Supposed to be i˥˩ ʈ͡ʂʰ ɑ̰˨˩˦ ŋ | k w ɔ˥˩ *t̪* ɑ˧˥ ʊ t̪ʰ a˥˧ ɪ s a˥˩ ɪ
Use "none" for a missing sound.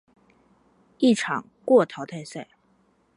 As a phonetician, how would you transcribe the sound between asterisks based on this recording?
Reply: t̪ʰ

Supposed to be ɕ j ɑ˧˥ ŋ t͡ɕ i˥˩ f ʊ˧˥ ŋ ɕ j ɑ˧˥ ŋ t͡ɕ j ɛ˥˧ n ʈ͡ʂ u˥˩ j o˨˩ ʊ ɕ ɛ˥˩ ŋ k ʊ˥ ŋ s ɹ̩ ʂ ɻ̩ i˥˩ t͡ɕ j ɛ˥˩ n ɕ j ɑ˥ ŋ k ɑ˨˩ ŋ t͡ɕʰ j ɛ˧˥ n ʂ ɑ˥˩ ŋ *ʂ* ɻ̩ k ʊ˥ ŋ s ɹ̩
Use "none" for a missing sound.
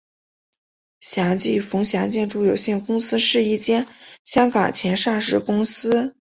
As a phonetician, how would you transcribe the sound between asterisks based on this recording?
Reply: ʂ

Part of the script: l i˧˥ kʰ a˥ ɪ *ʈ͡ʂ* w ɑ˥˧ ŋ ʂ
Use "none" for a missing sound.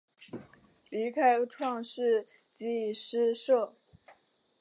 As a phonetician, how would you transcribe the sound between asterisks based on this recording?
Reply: ʈ͡ʂʰ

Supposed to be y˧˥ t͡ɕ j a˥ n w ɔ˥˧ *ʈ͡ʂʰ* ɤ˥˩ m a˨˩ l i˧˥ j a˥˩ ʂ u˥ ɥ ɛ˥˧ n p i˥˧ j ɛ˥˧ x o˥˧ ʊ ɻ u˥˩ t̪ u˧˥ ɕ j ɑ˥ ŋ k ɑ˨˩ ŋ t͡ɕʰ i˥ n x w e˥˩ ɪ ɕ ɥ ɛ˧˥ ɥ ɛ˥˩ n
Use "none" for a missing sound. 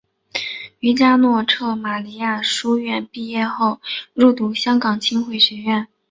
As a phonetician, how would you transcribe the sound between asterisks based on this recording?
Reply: ʈ͡ʂʰ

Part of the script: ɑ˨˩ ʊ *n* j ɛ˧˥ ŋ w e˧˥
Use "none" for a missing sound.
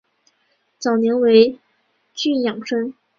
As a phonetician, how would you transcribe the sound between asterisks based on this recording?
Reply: n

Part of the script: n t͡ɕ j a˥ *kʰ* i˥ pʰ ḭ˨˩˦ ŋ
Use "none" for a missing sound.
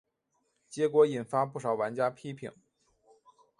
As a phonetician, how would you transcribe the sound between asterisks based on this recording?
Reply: pʰ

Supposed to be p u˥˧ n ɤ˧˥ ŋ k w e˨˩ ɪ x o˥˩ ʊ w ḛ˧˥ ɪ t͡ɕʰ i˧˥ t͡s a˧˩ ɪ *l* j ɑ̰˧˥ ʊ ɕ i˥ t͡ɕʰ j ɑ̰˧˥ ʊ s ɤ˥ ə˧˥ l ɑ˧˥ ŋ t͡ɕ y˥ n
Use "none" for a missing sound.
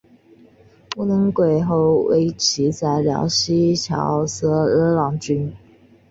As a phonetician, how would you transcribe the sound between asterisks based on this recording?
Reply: l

